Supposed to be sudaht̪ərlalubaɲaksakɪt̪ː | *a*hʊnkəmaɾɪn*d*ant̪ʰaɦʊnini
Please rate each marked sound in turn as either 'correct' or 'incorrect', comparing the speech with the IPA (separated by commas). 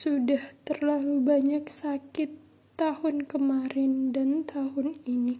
correct, correct